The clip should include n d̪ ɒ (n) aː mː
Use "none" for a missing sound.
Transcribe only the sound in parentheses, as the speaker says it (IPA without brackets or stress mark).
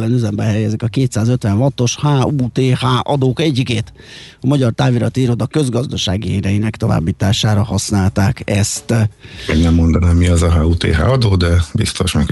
n